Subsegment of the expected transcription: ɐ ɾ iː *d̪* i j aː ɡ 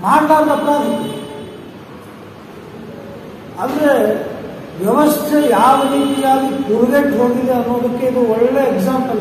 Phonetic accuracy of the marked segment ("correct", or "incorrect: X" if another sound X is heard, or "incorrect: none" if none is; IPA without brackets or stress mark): incorrect: t̪